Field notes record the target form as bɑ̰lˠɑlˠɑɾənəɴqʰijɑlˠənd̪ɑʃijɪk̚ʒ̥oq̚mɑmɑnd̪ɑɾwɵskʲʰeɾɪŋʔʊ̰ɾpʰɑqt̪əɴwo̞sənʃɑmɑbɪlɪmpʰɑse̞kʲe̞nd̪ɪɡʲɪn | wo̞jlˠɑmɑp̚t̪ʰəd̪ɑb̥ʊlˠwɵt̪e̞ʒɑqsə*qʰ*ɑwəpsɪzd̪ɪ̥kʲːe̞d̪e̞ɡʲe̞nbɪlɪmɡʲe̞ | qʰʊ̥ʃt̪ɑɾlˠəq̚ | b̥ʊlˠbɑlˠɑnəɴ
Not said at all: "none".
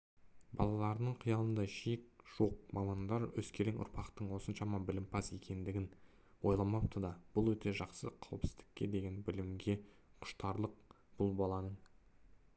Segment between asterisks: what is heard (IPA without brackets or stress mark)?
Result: qʰ